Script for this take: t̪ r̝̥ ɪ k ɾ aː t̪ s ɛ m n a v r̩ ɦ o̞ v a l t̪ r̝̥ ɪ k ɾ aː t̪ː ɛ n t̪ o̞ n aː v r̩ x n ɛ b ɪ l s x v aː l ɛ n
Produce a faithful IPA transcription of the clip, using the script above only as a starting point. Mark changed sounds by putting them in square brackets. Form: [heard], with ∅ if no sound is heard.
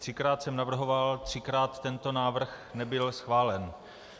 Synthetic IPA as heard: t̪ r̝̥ ɪ k ɾ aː t̪ s ɛ m n a v r̩ ɦ o̞ v a l t̪ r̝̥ ɪ k ɾ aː t̪ː ɛ n t̪ o̞ n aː v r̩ x n ɛ b ɪ l s x v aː l ɛ n